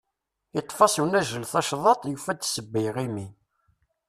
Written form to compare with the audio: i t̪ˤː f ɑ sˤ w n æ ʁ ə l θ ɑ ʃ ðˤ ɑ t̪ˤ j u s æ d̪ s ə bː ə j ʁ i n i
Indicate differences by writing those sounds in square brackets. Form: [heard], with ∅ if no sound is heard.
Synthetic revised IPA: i t̪ˤː f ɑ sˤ w n æ [ʒ] ə l θ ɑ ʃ ðˤ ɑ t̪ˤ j u [f] æ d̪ s ə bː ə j ʁ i [m] i